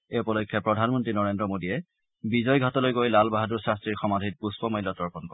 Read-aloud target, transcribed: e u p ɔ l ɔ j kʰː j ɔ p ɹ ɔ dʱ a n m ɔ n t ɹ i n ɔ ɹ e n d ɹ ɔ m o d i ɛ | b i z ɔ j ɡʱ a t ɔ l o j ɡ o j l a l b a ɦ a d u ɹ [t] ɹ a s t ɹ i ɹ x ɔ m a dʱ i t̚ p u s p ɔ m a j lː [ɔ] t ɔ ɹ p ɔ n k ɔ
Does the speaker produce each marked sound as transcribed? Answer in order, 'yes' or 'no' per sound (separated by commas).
no, yes